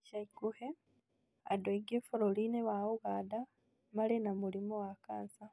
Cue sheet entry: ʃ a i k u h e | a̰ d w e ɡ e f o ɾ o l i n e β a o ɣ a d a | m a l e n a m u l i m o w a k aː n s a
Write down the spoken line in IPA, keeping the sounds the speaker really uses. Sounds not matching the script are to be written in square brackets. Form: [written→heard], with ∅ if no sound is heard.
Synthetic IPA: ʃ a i k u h e | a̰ d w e ɡ e f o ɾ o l i n e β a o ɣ a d a | m a l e n a m u l i m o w a k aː n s a